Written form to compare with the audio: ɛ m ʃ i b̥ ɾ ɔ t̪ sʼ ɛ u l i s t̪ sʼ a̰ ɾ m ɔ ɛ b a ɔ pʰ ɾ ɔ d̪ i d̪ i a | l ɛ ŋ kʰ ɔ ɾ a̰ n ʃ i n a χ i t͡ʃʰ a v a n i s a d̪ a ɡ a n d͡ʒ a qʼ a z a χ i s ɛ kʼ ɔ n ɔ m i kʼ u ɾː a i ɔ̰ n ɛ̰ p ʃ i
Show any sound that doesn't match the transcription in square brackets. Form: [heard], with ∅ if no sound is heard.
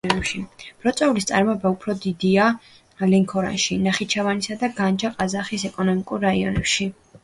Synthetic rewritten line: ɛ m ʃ i b̥ ɾ ɔ t̪ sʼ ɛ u l i s t̪ sʼ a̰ ɾ m ɔ ɛ b a [u] pʰ ɾ ɔ d̪ i d̪ i a | l ɛ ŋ kʰ ɔ ɾ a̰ n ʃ i n a χ i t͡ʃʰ a v a n i s a d̪ a ɡ a n d͡ʒ a qʼ a z a χ i s ɛ kʼ ɔ n ɔ m i kʼ u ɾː a i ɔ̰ n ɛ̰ p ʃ i